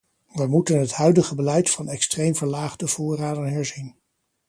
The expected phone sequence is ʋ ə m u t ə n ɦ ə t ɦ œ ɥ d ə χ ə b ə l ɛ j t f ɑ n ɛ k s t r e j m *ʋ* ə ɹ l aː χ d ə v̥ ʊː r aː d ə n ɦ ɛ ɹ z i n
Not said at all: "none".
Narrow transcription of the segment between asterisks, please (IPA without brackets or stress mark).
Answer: v